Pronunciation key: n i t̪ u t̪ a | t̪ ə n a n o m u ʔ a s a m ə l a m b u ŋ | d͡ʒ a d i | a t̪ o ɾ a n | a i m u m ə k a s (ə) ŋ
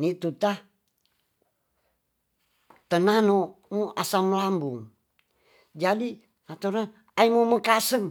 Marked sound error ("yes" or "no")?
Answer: no